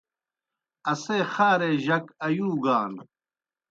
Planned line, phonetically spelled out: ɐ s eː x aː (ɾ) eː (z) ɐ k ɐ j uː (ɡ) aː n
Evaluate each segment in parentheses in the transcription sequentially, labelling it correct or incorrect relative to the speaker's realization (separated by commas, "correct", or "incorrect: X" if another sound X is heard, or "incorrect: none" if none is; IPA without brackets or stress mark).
correct, incorrect: ʑ, correct